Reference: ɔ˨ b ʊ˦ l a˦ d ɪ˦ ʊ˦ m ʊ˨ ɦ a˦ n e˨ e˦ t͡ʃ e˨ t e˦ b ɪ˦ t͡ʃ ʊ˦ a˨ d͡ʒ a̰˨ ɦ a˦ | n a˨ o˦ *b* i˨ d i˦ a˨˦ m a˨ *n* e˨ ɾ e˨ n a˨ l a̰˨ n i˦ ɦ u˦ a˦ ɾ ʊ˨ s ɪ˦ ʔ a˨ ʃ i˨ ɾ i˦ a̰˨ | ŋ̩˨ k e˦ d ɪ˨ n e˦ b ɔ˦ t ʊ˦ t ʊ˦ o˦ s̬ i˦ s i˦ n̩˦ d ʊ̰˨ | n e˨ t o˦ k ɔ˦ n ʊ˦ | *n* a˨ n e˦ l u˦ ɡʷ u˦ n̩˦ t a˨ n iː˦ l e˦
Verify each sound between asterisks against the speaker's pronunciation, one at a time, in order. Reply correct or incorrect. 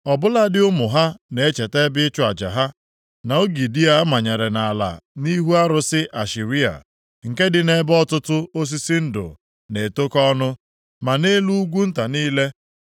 incorrect, incorrect, incorrect

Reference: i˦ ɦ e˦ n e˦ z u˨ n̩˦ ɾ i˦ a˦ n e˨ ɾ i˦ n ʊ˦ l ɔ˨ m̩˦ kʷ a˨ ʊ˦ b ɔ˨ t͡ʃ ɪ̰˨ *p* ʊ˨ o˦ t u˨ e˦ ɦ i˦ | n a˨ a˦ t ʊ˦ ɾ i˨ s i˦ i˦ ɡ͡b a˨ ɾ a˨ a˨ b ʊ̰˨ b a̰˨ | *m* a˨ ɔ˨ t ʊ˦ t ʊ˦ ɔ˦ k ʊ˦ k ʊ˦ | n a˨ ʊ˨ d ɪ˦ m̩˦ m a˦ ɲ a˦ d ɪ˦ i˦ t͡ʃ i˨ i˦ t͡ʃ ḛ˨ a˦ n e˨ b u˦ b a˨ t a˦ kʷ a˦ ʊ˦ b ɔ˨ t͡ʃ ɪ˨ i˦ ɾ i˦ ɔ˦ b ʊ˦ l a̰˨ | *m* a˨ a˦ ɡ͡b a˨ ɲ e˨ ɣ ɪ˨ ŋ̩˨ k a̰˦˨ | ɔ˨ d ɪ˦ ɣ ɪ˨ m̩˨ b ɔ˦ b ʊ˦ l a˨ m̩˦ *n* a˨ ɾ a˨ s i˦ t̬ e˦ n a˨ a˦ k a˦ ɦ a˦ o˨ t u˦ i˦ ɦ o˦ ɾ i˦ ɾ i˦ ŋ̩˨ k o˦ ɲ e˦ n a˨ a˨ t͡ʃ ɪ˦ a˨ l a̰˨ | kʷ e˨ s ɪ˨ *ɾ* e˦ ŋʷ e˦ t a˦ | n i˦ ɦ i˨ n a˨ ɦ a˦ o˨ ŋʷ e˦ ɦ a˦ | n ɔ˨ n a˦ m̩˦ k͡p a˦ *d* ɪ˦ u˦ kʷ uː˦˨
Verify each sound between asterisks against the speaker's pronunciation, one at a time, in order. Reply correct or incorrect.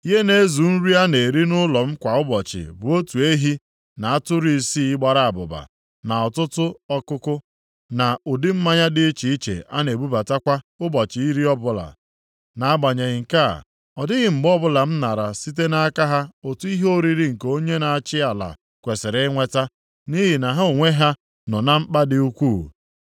incorrect, incorrect, incorrect, correct, correct, correct

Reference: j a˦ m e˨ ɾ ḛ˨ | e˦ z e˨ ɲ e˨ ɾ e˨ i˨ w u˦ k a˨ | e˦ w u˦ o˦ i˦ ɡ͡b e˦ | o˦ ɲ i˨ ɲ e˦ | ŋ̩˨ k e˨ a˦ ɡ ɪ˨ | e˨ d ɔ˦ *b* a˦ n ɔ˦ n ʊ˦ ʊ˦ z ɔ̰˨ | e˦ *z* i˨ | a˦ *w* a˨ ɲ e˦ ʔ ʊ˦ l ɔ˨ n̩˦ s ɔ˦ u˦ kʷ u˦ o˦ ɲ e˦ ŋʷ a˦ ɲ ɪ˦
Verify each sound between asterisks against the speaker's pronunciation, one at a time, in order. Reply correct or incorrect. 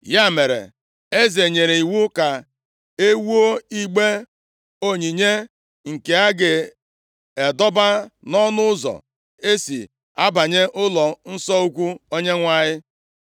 correct, incorrect, incorrect

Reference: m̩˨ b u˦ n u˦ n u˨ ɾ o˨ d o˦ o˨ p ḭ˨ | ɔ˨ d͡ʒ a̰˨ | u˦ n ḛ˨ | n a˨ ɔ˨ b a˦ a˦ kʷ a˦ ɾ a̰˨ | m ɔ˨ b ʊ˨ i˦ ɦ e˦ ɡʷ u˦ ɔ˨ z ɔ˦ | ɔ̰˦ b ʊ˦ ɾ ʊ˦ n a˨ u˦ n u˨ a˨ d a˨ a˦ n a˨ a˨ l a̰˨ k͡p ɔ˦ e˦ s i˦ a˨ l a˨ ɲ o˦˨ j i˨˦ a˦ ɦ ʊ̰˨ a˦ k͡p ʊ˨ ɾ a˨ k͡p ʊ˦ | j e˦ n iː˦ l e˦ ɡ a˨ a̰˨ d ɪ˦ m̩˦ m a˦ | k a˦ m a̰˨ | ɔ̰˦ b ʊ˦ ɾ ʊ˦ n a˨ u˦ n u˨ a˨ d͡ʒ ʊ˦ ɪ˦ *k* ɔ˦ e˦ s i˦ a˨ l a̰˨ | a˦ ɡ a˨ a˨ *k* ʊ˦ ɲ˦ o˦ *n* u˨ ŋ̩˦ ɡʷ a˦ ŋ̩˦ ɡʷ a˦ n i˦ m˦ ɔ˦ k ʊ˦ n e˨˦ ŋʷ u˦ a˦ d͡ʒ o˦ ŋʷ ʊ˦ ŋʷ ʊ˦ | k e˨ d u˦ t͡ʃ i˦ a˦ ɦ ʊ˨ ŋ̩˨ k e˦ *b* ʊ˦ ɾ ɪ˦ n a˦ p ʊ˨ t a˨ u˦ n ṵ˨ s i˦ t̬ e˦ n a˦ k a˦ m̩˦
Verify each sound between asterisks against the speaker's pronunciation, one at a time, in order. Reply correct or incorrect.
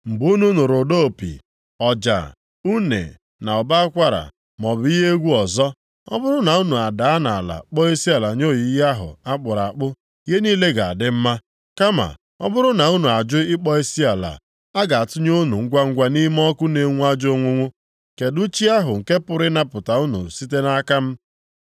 incorrect, incorrect, correct, incorrect

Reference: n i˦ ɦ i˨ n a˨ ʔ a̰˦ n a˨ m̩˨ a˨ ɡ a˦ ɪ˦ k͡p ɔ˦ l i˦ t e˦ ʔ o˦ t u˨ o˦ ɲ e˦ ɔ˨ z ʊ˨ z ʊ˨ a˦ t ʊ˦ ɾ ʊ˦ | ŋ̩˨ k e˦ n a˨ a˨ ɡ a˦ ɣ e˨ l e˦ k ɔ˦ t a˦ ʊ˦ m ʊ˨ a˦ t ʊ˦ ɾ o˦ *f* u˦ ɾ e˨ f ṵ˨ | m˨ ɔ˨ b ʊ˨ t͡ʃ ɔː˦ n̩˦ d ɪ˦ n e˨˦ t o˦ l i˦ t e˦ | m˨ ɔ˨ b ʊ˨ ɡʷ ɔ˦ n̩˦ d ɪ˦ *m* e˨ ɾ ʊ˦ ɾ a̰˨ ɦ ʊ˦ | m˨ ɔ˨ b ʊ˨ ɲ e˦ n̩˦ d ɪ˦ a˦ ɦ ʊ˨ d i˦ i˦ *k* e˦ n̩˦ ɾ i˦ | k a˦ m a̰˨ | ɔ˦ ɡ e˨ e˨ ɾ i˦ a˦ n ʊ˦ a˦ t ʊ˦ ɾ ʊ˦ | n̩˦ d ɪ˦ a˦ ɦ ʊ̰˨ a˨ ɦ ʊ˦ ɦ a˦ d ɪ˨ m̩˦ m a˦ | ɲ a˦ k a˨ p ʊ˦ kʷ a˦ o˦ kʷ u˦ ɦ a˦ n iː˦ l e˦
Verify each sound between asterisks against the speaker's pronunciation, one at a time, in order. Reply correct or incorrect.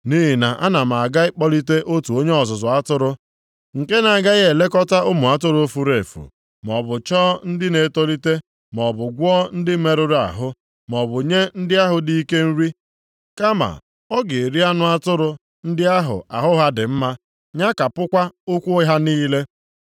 correct, correct, correct

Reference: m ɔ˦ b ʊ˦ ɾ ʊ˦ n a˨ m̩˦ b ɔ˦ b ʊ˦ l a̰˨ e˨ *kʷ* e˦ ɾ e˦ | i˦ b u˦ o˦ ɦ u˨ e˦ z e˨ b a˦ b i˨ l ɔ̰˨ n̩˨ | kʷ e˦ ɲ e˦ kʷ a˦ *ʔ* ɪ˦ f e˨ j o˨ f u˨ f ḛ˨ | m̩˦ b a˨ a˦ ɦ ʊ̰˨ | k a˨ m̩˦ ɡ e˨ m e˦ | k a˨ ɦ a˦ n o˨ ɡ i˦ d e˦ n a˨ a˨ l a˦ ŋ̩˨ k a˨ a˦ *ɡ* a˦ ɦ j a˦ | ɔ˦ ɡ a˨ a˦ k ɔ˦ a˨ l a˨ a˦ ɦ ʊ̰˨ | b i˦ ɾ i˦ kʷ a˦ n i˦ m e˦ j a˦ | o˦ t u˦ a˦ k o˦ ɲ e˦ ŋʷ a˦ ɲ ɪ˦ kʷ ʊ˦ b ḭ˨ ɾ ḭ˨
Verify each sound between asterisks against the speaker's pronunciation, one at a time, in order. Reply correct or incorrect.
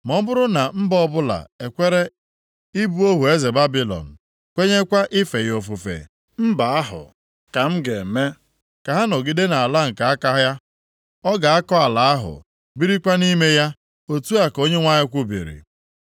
correct, correct, incorrect

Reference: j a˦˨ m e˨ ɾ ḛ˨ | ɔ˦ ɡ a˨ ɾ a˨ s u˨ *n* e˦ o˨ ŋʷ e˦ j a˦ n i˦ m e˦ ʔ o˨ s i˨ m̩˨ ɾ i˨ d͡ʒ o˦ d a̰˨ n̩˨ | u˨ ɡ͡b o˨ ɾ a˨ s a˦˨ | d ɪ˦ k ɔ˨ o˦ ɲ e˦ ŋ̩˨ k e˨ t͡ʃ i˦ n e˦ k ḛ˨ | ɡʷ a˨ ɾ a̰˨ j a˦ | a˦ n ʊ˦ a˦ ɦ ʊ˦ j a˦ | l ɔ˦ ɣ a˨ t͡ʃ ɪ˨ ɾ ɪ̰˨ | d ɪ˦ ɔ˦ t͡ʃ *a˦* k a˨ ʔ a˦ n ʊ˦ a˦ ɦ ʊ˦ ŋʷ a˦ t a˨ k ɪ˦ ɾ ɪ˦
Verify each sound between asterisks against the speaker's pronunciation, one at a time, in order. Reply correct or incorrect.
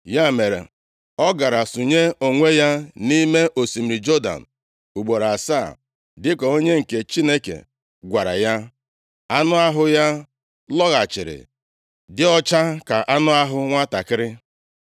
incorrect, correct

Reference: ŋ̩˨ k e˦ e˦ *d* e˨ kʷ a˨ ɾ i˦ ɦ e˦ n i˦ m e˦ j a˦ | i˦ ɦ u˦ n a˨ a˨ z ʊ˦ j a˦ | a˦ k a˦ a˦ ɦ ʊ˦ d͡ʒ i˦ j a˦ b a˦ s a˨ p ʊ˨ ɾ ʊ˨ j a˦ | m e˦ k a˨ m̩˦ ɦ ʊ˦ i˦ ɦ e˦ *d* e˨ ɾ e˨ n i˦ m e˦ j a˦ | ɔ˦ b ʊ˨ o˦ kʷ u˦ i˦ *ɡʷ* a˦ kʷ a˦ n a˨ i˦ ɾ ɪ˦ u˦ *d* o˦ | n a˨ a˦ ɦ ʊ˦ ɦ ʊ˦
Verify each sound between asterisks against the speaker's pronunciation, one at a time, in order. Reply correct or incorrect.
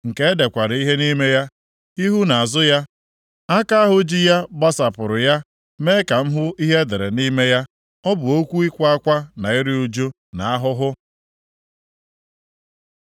correct, correct, incorrect, incorrect

